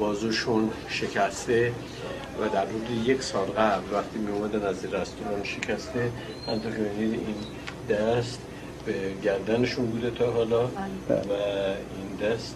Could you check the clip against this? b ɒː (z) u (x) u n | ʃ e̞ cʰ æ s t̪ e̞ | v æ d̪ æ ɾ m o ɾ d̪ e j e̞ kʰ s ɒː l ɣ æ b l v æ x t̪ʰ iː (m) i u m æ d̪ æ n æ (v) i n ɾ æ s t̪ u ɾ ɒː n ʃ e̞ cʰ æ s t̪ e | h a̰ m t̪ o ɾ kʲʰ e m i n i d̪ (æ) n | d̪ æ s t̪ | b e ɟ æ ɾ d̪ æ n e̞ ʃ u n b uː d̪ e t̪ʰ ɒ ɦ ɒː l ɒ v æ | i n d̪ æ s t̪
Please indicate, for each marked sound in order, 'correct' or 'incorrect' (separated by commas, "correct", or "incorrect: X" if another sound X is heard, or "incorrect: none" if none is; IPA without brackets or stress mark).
correct, incorrect: ʃ, correct, incorrect: z, incorrect: i